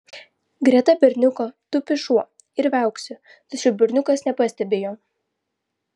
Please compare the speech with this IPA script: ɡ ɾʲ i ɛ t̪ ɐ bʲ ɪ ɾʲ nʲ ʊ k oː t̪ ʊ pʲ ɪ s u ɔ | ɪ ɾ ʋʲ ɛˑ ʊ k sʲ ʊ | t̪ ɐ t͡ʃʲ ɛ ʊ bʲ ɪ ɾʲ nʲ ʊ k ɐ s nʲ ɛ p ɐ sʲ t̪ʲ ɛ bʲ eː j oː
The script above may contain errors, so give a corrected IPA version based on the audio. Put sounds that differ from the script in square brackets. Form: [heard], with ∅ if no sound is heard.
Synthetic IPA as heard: ɡ ɾʲ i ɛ t̪ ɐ bʲ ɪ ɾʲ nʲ ʊ k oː t̪ ʊ pʲ ɪ [ʃ] u ɔ | ɪ ɾ ʋʲ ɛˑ ʊ k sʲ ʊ | t̪ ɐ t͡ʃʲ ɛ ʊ bʲ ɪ ɾʲ nʲ ʊ k ɐ s nʲ ɛ p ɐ sʲ t̪ʲ ɛ bʲ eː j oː